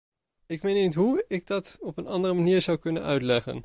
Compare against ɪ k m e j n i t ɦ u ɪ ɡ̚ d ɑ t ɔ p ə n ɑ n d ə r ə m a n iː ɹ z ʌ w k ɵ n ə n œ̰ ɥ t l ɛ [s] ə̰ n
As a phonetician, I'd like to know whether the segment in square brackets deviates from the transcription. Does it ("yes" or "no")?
yes